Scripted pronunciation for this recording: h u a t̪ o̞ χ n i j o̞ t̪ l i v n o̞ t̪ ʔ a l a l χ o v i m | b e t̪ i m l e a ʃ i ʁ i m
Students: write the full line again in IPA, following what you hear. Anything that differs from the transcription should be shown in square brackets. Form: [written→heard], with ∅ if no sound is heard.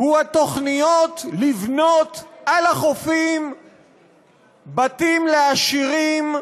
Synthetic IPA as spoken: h u a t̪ o̞ χ n i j o̞ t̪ l i v n o̞ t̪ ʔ a l a [l→∅] χ o [v→f] i m | b [e→a] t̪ i m l e a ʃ i ʁ i m